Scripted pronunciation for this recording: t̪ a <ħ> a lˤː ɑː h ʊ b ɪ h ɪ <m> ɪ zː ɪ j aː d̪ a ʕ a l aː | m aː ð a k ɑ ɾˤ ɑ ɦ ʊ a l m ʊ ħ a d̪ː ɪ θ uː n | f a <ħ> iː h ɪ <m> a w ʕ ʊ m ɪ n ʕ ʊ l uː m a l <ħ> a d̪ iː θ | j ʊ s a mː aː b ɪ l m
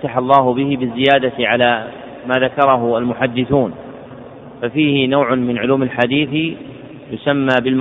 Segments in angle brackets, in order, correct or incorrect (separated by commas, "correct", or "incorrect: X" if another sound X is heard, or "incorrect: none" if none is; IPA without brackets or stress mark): correct, incorrect: b, incorrect: f, incorrect: n, correct